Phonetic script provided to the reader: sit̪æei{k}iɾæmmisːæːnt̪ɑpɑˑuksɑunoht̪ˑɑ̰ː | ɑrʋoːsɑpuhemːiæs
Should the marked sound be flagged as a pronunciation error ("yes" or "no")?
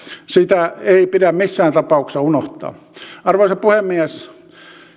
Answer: yes